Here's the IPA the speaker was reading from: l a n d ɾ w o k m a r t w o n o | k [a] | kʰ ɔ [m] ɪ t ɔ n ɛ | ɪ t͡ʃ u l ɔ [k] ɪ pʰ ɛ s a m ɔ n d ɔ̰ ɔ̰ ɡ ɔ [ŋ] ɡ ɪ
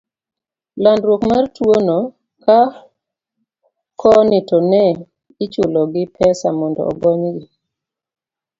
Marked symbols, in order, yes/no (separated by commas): yes, no, no, no